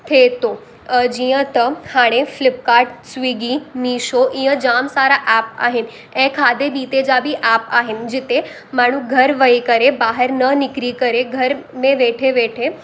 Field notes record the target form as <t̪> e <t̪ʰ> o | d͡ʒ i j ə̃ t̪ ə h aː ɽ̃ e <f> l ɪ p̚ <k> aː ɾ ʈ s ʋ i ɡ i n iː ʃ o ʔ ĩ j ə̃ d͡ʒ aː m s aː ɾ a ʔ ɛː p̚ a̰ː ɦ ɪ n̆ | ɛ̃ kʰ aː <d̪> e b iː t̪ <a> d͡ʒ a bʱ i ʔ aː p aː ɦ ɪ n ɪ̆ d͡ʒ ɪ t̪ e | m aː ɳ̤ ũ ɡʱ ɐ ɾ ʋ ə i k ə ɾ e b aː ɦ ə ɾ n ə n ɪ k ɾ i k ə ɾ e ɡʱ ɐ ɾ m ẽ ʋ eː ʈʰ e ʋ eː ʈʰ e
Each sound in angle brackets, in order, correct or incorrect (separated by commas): incorrect, incorrect, correct, correct, correct, incorrect